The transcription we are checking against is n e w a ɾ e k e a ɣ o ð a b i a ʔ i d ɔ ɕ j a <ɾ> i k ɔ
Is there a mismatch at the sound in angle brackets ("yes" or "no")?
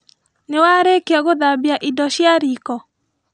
no